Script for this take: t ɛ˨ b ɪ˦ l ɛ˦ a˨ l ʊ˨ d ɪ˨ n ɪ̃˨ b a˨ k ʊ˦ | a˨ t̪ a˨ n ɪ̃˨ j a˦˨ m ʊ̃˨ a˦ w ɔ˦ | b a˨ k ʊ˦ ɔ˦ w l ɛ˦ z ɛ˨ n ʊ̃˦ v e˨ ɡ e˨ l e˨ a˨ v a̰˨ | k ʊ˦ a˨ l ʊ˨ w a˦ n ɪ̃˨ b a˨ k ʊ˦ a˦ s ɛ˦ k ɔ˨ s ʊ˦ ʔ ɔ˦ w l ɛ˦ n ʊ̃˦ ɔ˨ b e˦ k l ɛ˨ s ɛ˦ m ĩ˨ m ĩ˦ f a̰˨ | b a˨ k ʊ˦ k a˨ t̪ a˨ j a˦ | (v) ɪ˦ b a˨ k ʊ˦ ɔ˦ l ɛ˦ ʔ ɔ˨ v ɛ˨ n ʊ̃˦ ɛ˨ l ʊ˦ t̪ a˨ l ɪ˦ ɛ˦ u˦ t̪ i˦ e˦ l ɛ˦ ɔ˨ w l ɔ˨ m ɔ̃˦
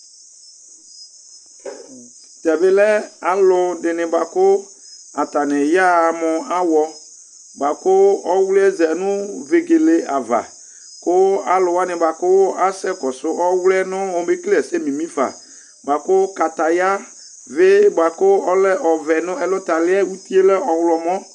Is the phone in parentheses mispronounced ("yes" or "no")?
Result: no